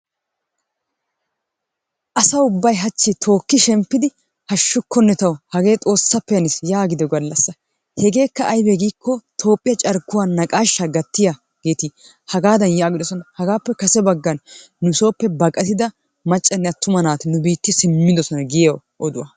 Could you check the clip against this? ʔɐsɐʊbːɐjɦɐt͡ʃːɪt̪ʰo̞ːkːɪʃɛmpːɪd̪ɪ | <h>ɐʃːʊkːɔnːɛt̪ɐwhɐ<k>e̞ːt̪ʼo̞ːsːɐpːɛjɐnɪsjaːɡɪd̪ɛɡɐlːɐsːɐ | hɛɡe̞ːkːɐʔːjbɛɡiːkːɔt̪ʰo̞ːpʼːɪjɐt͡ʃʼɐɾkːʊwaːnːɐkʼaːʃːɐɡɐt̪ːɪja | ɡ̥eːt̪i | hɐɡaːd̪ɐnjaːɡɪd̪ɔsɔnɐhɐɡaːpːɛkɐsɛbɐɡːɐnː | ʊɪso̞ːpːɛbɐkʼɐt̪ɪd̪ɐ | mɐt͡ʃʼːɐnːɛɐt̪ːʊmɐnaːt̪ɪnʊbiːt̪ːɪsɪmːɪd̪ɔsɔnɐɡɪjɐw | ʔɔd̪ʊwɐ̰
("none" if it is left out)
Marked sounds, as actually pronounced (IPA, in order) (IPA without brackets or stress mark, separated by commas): h, ɡ